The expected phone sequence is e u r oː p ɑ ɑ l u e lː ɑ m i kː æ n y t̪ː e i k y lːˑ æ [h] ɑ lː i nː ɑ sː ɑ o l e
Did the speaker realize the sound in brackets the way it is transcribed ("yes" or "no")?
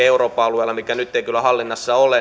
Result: yes